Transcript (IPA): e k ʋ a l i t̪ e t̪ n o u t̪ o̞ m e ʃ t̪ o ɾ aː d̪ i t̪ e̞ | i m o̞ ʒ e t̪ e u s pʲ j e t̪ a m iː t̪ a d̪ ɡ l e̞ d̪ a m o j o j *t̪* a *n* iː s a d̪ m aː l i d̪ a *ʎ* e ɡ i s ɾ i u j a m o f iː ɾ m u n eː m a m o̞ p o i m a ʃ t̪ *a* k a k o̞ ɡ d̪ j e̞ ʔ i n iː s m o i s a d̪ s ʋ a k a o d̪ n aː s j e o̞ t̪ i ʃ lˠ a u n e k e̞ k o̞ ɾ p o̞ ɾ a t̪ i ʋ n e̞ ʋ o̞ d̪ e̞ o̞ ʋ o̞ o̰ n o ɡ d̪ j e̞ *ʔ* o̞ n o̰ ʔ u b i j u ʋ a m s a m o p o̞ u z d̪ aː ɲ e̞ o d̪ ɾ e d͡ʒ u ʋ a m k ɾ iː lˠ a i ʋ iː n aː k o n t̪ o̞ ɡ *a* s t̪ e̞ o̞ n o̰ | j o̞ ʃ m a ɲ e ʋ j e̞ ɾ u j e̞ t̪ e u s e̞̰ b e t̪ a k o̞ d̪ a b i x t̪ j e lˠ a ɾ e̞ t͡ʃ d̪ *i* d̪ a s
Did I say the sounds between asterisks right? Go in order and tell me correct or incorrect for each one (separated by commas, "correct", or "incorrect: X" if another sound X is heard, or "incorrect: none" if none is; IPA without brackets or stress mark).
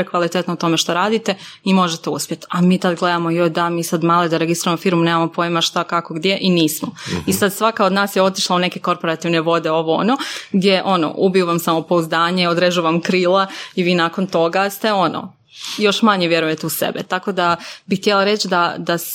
incorrect: d̪, incorrect: m, incorrect: ɾ, correct, correct, correct, incorrect: a